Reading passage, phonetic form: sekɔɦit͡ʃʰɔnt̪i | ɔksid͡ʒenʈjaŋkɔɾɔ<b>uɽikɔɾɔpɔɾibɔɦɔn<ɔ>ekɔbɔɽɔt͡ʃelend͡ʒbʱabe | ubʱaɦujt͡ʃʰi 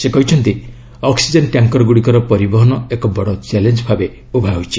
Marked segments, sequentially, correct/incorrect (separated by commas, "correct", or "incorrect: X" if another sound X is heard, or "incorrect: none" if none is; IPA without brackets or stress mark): incorrect: ɡ, correct